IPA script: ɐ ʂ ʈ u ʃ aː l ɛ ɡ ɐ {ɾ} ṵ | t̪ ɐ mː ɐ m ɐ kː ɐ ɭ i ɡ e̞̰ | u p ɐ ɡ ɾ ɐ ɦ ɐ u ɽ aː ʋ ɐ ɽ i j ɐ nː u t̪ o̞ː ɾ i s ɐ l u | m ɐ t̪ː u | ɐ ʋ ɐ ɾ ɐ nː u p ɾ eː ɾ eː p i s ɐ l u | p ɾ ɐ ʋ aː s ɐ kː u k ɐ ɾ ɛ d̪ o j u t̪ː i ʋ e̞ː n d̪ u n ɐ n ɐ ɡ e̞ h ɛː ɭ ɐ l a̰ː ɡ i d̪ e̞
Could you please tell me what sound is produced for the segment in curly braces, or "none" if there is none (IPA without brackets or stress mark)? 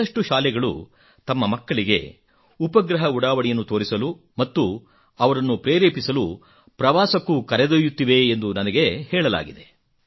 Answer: ɭ